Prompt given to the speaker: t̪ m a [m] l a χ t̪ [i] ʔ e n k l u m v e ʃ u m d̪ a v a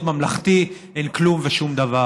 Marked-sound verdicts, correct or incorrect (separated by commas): correct, correct